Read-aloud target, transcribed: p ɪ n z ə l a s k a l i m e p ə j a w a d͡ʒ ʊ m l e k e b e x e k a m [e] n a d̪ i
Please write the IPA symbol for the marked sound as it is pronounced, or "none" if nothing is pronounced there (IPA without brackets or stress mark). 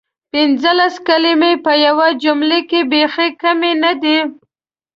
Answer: e